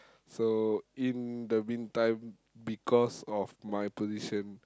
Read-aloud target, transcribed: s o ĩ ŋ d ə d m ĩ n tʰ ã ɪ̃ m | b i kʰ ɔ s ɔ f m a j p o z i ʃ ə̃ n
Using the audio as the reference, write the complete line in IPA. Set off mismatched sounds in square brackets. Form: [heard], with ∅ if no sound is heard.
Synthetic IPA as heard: s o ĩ [n] d ə [∅] m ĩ n [t] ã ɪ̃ m | b i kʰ ɔ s ɔ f m a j p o z i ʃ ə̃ n

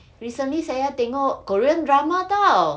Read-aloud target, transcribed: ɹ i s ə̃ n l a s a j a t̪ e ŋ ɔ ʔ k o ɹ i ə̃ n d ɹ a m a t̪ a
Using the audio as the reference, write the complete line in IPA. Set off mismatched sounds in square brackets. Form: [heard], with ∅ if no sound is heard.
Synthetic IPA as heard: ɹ i s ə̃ n l [i] s a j a t̪ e ŋ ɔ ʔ k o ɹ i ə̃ n d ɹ a m a t̪ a

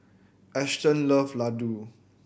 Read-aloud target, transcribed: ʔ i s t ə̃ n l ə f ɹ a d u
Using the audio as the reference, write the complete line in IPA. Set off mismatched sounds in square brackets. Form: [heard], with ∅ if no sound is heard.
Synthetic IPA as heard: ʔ [ɛ] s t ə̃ n l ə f [l] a d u

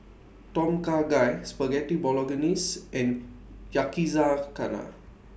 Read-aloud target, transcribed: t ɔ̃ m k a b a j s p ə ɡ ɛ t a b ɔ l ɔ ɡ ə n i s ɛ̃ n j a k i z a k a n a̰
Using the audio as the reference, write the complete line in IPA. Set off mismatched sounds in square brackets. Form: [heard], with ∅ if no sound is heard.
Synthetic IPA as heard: t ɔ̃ m k a [ɡ] a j s p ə ɡ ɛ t [i] b ɔ l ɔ ɡ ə n i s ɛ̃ n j a k i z a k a n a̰

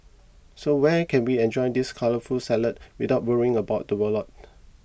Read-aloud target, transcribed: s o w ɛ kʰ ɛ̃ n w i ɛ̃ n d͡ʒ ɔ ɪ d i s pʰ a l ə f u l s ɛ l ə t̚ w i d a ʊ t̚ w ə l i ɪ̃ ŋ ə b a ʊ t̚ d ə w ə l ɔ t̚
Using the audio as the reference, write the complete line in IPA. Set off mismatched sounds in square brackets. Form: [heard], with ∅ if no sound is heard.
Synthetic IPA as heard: s o w ɛ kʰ ɛ̃ n w i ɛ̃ n d͡ʒ ɔ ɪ d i s [kʰ] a l ə f u l s ɛ l ə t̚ w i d a ʊ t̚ w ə [ɹ] i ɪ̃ ŋ ə b a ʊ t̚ d ə w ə l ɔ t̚

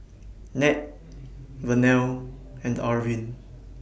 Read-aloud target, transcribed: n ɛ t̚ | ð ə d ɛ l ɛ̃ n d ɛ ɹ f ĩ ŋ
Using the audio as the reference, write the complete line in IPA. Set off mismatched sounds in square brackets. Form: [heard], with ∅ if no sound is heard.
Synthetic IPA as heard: n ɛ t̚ | [v] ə [n] ɛ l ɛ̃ n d [a] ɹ [v] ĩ [n]

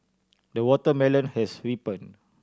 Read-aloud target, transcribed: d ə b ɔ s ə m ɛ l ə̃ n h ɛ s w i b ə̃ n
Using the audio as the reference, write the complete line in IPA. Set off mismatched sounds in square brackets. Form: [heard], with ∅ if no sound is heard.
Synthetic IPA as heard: d ə [w] ɔ [t] ə m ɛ l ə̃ n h ɛ s w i [p] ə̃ n

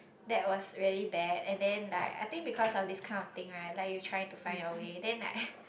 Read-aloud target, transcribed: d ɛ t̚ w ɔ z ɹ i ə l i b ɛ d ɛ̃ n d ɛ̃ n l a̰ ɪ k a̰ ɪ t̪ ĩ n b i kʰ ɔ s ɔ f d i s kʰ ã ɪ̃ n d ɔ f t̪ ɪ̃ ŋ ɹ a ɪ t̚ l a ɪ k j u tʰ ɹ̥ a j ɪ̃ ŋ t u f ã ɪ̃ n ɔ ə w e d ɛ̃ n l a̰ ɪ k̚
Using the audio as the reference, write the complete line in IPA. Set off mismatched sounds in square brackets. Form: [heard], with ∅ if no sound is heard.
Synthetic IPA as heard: d ɛ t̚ w ɔ [s] ɹ i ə l i b ɛ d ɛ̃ n d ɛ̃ n l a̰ ɪ k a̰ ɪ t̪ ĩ [ŋ] b i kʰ ɔ s ɔ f d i s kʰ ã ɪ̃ n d ɔ f t̪ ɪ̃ ŋ ɹ a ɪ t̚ l a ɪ k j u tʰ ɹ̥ a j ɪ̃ ŋ t u f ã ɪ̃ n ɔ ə w e d ɛ̃ n l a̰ ɪ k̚

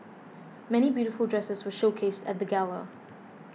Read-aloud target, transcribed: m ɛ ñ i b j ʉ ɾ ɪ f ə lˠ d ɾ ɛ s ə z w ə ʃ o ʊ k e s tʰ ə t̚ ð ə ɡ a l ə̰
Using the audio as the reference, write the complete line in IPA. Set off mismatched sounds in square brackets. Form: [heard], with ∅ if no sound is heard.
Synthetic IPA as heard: m ɛ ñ i b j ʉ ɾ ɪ f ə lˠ d [ɹ] ɛ s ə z w ə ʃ o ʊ [kʰ] e s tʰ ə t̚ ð ə ɡ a l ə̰

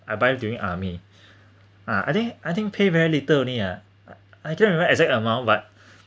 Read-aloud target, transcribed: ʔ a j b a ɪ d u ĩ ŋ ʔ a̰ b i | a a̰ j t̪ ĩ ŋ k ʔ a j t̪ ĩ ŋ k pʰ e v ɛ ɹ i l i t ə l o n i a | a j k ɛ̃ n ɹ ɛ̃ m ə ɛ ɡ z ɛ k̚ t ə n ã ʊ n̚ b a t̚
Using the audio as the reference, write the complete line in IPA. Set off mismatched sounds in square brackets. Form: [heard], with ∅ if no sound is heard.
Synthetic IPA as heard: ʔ a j b a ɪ d u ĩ ŋ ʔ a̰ [m] i | a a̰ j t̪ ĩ ŋ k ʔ a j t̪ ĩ ŋ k pʰ e v ɛ ɹ i l i t ə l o n i a | a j k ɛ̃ n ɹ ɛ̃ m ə ɛ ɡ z ɛ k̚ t ə [m] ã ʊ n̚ b a t̚

